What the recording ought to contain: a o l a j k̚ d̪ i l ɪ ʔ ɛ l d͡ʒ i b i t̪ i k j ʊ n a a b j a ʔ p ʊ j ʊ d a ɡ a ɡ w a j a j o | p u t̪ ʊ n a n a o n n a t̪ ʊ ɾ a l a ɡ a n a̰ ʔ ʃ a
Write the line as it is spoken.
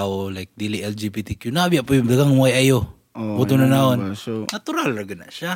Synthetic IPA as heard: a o l a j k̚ d̪ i l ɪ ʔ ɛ l d͡ʒ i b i t̪ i k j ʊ n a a b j a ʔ p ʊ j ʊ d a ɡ a ŋ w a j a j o | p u t̪ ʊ n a n a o n n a t̪ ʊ ɾ a l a ɡ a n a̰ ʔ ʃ a